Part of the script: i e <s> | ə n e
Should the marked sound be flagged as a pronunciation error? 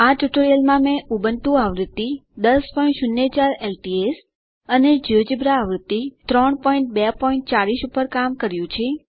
no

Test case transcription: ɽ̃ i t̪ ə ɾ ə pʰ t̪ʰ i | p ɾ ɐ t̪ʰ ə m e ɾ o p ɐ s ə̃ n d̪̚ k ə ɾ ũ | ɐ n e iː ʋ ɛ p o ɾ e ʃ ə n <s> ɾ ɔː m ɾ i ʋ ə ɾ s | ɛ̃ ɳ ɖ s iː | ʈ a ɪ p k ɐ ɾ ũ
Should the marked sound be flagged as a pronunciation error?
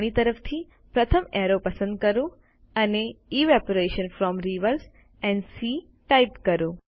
yes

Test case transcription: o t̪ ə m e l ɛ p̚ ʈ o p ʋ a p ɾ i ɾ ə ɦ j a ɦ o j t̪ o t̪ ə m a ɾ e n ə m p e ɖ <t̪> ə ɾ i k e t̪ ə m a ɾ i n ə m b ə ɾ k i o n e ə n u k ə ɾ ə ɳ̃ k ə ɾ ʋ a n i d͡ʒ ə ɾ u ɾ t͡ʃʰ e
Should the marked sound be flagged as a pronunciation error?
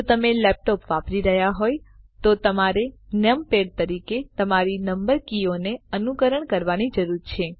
no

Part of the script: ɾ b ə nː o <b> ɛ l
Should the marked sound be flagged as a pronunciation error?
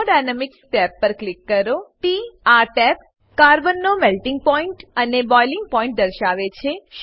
yes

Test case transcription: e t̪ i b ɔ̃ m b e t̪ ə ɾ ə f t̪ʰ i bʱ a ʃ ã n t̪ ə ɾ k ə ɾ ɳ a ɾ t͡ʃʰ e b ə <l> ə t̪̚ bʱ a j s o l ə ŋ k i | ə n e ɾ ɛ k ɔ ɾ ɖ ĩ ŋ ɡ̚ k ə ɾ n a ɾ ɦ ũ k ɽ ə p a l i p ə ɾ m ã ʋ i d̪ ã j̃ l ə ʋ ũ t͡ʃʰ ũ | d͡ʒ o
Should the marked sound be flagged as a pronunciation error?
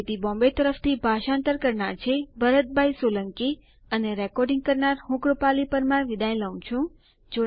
yes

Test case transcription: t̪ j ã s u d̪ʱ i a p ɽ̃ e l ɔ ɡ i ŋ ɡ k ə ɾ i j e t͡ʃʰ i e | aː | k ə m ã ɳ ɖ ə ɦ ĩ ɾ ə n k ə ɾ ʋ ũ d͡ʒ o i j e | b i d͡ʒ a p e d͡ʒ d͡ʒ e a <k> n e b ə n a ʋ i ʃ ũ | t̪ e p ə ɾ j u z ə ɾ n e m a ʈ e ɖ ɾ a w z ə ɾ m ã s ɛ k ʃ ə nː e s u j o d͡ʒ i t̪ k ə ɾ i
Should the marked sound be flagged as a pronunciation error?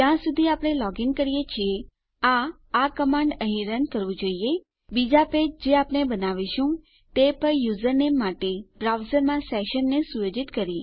yes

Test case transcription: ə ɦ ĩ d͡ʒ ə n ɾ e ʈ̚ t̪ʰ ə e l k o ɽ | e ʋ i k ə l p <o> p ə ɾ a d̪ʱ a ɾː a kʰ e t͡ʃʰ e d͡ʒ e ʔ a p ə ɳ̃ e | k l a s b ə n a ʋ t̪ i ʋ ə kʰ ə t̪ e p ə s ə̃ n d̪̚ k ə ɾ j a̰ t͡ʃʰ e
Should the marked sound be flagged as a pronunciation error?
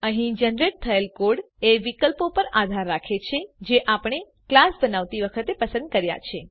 no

